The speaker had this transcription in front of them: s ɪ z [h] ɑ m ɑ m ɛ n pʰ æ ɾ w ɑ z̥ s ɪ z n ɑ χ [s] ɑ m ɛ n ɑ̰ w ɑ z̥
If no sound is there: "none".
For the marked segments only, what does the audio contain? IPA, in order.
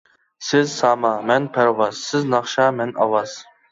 s, ʃ

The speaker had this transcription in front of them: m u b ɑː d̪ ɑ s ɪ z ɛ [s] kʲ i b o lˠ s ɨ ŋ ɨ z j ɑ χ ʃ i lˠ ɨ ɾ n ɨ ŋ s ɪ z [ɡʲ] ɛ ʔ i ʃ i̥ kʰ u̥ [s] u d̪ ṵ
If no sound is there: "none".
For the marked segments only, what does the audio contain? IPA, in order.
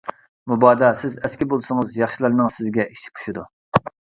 s, ɡʲ, ʃ

